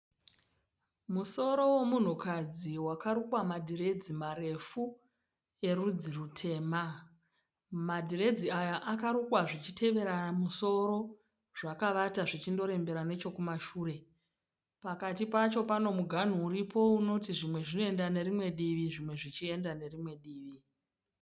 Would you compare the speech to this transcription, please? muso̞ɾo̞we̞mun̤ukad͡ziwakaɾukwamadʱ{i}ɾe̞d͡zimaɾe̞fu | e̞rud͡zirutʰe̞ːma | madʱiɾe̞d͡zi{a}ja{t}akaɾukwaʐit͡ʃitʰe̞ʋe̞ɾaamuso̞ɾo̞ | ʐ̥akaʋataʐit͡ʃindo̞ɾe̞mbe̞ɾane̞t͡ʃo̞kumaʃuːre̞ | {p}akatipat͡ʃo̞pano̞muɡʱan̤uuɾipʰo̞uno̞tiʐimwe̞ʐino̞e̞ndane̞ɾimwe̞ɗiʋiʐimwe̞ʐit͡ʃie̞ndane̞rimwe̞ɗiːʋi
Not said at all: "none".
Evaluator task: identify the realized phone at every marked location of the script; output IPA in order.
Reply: i, a, ʔ, p

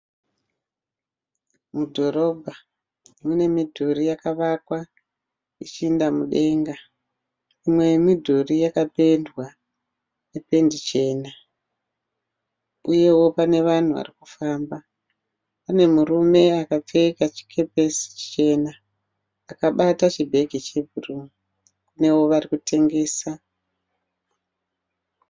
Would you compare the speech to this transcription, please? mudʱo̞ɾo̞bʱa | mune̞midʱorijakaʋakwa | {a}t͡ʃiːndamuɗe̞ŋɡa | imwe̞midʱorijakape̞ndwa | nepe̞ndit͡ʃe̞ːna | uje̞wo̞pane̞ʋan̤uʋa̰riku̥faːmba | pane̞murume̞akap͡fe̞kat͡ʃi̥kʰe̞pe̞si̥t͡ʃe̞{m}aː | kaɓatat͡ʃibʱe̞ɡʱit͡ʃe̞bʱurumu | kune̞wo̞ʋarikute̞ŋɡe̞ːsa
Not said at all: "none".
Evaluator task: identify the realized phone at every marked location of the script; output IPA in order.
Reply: i, n

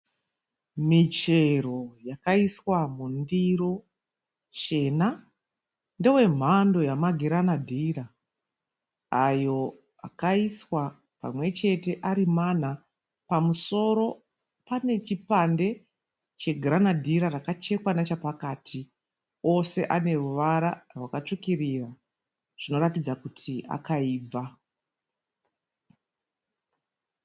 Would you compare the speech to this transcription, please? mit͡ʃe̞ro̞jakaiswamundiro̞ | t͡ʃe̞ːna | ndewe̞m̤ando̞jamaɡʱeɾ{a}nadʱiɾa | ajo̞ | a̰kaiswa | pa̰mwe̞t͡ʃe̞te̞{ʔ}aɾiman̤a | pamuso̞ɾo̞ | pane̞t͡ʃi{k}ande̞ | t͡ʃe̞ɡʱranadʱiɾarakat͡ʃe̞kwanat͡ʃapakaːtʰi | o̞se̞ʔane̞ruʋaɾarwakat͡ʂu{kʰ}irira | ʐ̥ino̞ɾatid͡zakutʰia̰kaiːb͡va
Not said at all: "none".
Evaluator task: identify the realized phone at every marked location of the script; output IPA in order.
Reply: a, ʔ, p, k

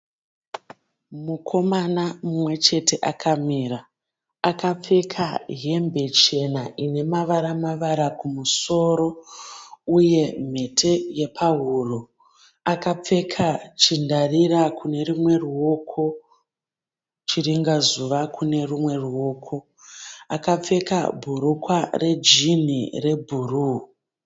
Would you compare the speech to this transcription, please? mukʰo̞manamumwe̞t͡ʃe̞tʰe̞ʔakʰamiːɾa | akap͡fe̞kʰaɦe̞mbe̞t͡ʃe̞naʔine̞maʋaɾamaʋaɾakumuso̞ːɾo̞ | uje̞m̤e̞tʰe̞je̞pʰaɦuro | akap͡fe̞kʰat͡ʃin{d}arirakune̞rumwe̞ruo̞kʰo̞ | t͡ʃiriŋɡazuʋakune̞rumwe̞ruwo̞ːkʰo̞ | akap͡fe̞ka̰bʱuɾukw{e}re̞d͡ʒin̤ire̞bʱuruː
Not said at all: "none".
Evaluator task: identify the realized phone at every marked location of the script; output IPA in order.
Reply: d, a

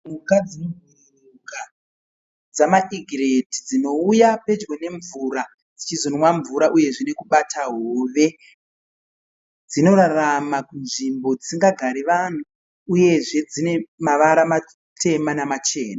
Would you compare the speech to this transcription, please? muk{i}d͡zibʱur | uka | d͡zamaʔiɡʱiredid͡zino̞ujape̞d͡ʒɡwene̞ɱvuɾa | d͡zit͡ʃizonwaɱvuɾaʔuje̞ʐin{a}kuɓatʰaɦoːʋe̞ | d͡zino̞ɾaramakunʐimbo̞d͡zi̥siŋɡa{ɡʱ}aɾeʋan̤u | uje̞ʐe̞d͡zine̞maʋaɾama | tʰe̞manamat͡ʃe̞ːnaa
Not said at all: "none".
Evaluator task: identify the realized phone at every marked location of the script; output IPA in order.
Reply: a, e, ɡʱ

